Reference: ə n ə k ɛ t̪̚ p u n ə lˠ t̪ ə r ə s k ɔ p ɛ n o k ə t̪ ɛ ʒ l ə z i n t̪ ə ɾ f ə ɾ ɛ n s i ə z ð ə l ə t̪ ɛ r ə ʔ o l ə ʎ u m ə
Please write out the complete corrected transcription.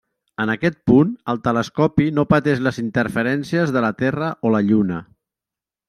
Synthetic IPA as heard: ə n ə k ɛ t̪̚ p u n ə lˠ t̪ ə l ə s k ɔ p i n o p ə t̪ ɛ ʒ l ə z i n t̪ ə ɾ f ə ɾ ɛ n s i ə z ð ə l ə t̪ ɛ r ə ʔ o l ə ʎ u n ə